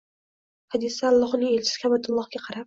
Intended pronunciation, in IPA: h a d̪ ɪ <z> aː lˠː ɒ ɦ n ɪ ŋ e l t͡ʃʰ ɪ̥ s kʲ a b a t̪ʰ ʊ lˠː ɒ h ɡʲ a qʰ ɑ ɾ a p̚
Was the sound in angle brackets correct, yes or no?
no